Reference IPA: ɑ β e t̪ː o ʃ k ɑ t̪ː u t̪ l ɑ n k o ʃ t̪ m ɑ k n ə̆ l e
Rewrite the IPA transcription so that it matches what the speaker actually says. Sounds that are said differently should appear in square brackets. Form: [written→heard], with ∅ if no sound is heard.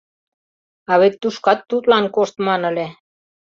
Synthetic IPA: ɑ β e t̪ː [o→u] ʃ k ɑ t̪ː u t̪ l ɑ n k o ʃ t̪ m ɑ [k→∅] n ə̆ l e